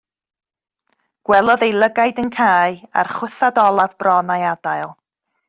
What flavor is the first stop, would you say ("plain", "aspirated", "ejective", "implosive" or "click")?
plain